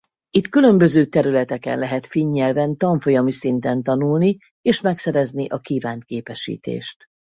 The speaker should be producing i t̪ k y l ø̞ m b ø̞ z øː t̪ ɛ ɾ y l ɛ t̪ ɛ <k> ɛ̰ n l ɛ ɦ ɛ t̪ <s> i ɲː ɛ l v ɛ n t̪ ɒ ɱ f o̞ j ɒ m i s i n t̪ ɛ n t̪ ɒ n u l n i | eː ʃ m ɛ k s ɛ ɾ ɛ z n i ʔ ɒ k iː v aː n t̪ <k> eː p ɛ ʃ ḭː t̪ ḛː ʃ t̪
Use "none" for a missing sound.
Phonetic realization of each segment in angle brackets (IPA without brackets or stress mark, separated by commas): k, f, k